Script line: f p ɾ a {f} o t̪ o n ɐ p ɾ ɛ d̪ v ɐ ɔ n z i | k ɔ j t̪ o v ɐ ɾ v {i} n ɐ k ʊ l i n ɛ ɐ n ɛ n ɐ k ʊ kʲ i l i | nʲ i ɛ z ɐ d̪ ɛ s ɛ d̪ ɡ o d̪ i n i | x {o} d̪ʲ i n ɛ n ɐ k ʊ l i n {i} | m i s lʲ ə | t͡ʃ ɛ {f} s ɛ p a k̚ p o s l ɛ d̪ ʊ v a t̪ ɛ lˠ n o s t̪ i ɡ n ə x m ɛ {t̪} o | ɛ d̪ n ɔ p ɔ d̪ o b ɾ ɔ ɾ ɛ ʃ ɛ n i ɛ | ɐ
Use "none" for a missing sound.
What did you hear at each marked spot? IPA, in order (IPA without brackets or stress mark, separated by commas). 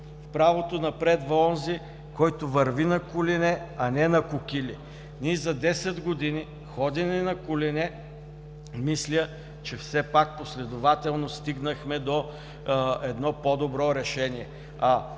v, i, ɔ, ɛ, f, d̪